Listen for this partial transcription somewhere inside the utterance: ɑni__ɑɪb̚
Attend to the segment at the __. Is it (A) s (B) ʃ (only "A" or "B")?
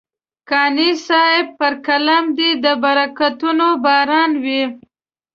A